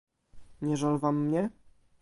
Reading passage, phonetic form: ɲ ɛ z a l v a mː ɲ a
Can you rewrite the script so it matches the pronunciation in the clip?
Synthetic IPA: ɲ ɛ ʐ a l v a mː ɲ ɛ